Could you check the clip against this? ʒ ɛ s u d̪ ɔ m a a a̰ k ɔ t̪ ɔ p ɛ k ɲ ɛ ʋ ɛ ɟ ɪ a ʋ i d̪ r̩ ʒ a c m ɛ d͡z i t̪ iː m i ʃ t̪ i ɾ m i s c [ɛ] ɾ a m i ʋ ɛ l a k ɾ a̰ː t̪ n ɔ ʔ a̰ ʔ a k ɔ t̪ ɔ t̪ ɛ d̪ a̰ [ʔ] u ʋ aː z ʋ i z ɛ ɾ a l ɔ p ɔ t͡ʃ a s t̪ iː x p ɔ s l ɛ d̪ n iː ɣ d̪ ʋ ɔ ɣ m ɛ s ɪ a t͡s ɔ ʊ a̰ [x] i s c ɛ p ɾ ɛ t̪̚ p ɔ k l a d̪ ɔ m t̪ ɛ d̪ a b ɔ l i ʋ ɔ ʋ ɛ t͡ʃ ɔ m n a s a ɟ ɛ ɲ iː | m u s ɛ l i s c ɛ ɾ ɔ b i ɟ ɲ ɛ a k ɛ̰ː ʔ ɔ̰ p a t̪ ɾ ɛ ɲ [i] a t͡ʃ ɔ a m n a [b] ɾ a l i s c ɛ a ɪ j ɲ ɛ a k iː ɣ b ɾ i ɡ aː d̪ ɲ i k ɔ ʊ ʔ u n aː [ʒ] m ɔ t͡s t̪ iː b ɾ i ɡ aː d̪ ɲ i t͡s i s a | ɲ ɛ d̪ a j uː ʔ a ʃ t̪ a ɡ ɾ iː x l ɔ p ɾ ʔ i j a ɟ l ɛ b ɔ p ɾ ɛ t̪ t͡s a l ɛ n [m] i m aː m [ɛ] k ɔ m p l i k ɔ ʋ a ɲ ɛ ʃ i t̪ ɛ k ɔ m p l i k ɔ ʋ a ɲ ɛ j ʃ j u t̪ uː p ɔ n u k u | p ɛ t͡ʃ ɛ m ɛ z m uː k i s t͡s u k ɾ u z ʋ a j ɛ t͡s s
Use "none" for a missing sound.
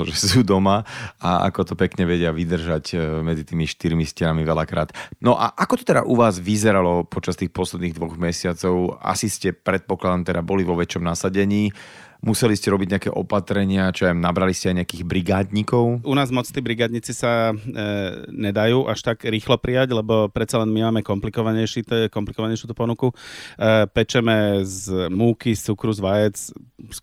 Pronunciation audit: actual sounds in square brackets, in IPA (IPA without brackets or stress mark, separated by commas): ɛ, ʔ, s, ɪ, b, z, m, ɛ